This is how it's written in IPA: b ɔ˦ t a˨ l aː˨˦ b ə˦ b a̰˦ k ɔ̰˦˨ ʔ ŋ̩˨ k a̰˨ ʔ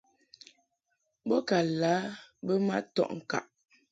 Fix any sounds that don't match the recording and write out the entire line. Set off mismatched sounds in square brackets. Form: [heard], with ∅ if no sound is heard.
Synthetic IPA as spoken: b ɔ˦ [k] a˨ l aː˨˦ b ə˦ [m] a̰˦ [t] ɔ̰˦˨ ʔ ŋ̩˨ k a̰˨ ʔ

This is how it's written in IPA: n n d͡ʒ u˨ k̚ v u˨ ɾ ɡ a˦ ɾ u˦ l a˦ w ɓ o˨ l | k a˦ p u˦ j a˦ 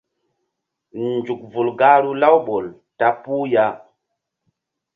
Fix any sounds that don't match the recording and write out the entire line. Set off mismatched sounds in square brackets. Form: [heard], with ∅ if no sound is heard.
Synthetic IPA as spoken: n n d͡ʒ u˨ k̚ v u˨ [l] ɡ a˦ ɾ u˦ l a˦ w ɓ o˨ l | [t] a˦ p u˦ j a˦

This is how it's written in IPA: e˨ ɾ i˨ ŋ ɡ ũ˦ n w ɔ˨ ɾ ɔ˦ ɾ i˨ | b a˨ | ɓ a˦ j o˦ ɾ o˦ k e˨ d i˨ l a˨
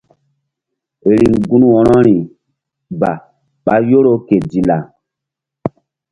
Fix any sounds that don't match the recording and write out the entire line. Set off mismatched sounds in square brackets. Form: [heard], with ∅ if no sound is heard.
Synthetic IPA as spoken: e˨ ɾ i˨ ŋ ɡ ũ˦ n w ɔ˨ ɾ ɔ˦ ɾ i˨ | b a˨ | ɓ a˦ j o˦ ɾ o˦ k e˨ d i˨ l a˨

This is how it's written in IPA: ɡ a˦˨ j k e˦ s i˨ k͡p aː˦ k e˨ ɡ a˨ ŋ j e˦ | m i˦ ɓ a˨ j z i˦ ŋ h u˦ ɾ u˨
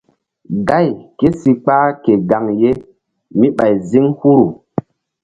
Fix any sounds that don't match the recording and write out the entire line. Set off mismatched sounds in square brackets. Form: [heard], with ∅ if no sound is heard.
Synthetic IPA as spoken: ɡ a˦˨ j k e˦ s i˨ k͡p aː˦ k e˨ ɡ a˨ ŋ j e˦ | m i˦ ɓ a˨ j z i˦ ŋ h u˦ ɾ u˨

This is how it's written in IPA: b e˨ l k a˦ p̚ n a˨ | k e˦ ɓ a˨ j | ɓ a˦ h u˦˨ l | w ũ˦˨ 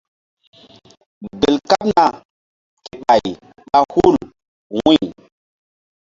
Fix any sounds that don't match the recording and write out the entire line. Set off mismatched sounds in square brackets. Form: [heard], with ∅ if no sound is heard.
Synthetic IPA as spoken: b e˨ l k a˦ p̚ n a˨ | k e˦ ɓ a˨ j | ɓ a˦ h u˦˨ l | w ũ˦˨

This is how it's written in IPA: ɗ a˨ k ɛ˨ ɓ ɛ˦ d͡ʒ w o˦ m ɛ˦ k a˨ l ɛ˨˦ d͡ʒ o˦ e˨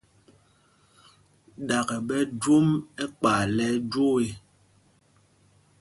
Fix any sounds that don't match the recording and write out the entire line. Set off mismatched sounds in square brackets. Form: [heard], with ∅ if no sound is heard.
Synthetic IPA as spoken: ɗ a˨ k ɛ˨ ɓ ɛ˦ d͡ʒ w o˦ m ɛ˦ [k͡p] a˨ l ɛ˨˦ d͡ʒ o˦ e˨

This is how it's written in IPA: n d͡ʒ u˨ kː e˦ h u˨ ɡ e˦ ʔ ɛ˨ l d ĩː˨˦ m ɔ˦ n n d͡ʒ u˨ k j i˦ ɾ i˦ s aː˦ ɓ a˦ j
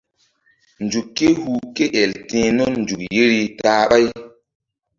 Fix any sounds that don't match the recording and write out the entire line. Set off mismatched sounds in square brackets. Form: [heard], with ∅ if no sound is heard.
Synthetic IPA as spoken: n d͡ʒ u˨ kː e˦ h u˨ [k] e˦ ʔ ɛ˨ l [t] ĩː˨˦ [n] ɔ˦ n n d͡ʒ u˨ k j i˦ ɾ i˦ [t] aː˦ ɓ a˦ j

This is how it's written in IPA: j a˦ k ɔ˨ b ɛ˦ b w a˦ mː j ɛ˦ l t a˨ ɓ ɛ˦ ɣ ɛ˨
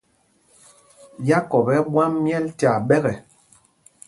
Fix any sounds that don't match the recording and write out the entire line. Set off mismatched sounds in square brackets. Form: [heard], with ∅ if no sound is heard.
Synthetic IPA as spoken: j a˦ k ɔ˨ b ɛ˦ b w a˦ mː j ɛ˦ l t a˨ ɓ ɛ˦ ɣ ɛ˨

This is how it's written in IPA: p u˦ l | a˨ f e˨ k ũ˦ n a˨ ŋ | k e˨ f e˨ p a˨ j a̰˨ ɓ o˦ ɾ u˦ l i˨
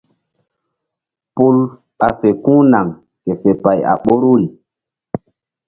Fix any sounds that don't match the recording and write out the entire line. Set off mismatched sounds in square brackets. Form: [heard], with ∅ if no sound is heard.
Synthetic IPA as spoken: p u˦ l | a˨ f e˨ k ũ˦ n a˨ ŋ | k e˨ f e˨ p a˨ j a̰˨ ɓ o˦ ɾ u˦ l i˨

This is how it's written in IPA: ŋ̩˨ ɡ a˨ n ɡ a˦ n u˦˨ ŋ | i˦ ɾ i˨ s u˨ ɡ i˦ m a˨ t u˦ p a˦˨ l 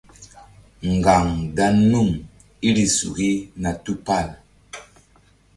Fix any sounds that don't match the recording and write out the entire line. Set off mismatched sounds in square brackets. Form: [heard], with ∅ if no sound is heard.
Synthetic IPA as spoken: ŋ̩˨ ɡ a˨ [ŋ] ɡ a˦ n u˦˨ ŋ | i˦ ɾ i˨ s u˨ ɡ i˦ [n] a˨ t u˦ p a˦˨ l

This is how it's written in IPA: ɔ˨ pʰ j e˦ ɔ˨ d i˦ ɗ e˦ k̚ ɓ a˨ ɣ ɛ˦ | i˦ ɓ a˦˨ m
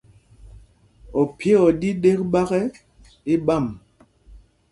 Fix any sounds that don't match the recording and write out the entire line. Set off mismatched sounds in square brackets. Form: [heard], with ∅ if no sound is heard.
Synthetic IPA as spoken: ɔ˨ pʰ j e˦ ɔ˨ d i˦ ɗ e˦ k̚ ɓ [a˦] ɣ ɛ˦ | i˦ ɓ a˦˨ m

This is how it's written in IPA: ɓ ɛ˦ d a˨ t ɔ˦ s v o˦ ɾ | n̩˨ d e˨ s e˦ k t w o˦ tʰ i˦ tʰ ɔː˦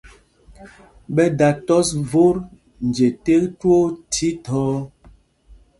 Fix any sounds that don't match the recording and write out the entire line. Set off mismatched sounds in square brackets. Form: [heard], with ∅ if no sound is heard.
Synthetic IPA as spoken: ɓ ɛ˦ d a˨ t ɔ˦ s v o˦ ɾ | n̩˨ [d͡ʒ] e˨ [t] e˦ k t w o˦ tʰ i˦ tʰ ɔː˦

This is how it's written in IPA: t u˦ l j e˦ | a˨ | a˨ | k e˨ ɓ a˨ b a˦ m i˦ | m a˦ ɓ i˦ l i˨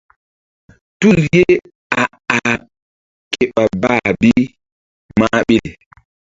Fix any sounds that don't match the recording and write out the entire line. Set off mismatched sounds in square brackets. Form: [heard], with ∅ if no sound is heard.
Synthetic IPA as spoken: t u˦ l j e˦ | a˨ | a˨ | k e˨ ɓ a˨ b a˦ [b] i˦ | m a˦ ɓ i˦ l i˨

